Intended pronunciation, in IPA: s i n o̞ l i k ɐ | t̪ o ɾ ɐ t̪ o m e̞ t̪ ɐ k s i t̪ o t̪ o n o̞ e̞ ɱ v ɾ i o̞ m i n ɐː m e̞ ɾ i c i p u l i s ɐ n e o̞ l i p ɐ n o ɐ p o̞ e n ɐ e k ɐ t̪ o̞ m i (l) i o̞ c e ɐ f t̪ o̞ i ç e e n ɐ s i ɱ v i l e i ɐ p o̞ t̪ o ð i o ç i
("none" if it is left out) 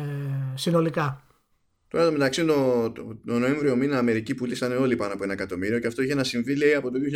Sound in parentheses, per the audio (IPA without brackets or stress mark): ɾ